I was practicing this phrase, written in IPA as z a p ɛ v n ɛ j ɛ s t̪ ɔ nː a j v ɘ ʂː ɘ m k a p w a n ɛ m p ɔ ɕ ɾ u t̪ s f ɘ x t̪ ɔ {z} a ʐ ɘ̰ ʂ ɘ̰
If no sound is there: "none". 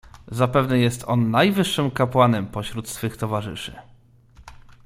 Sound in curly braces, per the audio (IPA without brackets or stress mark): v